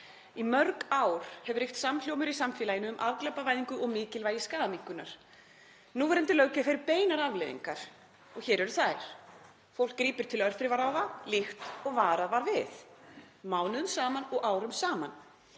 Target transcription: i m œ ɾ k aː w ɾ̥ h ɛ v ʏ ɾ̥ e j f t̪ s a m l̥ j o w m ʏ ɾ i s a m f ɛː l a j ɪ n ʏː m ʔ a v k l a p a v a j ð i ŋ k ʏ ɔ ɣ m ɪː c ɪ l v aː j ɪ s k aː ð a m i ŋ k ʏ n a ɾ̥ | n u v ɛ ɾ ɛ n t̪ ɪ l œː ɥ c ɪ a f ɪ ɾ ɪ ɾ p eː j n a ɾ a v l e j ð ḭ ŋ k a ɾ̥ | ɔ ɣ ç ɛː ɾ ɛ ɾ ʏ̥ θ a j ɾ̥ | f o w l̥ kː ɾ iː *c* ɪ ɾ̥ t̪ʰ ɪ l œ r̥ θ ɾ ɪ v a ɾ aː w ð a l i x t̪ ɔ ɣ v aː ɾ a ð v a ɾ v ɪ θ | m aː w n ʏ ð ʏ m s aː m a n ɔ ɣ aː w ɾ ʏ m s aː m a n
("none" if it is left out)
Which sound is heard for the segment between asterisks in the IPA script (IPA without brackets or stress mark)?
p